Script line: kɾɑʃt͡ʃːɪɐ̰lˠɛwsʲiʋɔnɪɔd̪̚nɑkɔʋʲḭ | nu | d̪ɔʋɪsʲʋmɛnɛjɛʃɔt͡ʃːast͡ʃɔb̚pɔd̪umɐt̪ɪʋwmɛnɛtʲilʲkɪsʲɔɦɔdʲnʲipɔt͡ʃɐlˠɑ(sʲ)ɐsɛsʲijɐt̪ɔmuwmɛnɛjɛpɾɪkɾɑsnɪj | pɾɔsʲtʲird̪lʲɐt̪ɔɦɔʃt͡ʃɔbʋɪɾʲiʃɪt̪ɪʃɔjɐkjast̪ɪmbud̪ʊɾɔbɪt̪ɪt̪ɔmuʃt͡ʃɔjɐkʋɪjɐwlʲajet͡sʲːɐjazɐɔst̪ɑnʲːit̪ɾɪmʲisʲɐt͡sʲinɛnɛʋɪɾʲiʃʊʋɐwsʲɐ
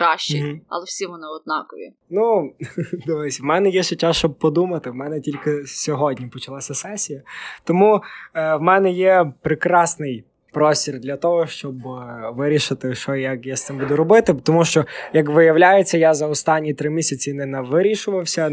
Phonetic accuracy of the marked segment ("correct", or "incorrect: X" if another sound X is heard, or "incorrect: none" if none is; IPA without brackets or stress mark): correct